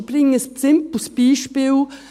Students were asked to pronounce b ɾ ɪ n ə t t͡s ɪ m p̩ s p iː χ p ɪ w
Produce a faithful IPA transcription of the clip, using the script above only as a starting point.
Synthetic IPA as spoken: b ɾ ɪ ŋ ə s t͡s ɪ m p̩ s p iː ʃ p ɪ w